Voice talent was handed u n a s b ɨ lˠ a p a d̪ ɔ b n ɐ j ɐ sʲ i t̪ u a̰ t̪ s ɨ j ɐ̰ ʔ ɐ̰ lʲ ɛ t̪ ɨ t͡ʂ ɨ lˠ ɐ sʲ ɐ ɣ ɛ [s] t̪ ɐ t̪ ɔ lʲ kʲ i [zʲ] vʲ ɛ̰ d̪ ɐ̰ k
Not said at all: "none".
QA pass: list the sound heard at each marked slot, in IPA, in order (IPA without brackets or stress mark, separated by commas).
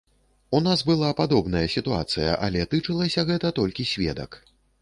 none, sʲ